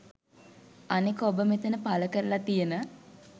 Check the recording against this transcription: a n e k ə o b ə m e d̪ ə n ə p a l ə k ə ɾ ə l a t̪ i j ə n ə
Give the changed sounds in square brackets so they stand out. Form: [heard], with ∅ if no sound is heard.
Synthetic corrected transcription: a n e k ə o b ə m e [t̪] ə n ə p a l ə k ə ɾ ə l a t̪ i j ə n ə